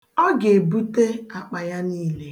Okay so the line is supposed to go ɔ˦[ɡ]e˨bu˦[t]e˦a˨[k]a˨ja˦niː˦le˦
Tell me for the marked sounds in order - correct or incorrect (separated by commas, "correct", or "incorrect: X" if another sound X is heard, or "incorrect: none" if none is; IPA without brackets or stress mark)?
correct, correct, incorrect: k͡p